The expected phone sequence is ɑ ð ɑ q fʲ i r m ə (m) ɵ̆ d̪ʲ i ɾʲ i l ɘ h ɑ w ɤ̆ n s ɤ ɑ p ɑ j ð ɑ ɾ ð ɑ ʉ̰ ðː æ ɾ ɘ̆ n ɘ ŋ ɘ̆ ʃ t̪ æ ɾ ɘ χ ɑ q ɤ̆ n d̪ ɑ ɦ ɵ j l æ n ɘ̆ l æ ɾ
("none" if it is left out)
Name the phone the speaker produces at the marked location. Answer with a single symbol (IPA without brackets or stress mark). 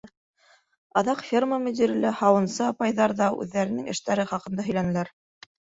m